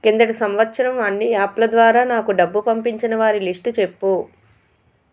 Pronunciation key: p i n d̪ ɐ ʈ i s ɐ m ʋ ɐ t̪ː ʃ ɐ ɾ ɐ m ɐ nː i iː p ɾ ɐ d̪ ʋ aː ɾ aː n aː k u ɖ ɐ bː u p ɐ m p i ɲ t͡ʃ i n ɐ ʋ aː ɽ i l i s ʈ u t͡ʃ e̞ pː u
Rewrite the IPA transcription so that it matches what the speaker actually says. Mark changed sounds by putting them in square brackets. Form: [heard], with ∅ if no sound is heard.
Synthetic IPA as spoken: [k] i n d̪ ɐ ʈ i s ɐ m ʋ ɐ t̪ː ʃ ɐ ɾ ɐ m ɐ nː i [aː] p [l] ɐ d̪ ʋ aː ɾ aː n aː k u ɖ ɐ bː u p ɐ m p i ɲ t͡ʃ i n ɐ ʋ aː [ɾ] i l i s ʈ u t͡ʃ e̞ pː u